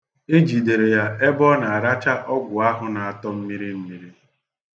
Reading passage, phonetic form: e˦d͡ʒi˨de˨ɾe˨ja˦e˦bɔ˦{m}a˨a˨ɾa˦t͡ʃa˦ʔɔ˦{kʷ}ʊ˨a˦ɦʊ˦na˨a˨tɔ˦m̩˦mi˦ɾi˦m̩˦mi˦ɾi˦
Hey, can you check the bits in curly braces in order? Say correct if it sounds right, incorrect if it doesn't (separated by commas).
incorrect, incorrect